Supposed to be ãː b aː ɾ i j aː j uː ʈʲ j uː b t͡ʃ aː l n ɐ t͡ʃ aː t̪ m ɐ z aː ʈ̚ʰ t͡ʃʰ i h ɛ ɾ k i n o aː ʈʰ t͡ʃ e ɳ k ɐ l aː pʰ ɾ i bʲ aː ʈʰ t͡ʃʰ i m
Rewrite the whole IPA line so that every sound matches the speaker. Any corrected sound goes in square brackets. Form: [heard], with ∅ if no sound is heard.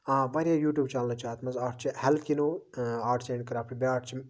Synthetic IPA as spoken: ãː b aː ɾ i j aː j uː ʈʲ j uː b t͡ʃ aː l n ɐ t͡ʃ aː t̪ m ɐ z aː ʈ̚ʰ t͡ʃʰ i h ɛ [l] k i n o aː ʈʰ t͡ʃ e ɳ k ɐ [ɾ] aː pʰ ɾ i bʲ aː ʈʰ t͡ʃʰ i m